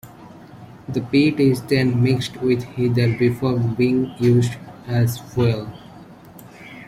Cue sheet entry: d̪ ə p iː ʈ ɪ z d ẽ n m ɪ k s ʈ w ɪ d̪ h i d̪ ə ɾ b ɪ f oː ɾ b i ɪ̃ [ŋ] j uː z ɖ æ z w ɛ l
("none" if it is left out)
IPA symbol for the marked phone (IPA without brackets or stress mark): ŋ